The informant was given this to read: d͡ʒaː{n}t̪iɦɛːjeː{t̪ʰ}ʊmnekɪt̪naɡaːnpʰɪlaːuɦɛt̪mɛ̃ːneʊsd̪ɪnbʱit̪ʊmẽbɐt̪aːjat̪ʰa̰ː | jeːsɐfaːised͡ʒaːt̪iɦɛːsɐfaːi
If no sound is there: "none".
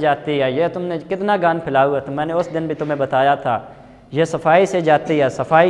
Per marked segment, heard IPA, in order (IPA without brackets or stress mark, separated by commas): none, t̪